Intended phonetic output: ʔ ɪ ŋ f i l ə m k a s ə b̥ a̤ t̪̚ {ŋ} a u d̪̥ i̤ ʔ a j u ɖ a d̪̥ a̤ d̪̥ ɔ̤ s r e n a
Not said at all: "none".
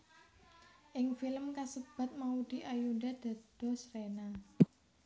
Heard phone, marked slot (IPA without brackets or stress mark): m